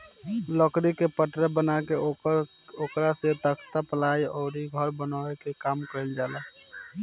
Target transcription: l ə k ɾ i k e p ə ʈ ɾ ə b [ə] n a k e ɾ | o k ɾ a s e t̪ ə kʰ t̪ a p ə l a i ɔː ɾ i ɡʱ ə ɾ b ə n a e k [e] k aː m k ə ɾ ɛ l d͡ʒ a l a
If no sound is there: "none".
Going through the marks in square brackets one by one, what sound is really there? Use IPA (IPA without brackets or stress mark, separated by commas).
ə, e